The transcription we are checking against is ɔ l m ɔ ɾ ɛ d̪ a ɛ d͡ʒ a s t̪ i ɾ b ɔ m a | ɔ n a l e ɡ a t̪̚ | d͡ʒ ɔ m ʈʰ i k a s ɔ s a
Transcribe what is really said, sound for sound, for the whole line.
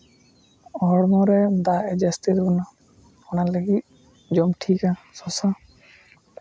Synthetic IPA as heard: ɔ ɽ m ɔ ɾ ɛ d̪ a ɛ d͡ʒ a s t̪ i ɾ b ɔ n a | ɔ n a l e ɡ i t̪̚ | d͡ʒ ɔ m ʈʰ i k a s ɔ s a